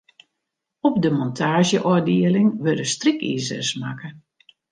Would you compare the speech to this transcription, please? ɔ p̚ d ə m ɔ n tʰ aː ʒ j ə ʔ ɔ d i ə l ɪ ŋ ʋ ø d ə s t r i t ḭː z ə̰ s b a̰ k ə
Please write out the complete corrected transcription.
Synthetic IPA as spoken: ɔ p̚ d ə m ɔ n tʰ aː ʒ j ə ʔ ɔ d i ə l ɪ ŋ ʋ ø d ə s t r i k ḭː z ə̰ s m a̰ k ə